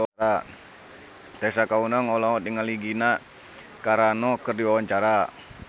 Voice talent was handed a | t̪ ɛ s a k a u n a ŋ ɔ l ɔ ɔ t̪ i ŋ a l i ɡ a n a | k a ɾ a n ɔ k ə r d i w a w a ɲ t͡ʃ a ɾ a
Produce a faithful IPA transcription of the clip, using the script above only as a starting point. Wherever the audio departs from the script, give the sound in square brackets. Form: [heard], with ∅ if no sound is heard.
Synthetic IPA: a | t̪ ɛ s a k a u n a ŋ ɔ l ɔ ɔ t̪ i ŋ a l i ɡ [i] n a | k a ɾ a n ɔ k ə r d i w a w a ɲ t͡ʃ a ɾ a